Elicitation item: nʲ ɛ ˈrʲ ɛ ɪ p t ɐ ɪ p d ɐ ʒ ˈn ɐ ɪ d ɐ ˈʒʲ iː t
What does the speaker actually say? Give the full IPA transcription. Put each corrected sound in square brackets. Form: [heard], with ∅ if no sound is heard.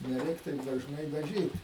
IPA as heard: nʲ ɛ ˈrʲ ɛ ɪ [k] t ɐ ɪ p d ɐ ʒ ˈn ɐ ɪ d ɐ ˈʒʲ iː t